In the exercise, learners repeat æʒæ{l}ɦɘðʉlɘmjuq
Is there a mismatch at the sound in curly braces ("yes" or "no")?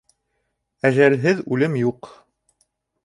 no